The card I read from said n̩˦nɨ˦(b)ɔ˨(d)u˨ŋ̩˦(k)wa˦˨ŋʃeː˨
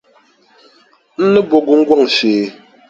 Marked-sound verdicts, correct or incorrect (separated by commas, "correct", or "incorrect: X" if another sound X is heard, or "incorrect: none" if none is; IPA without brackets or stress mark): correct, incorrect: ɡ, incorrect: ɡ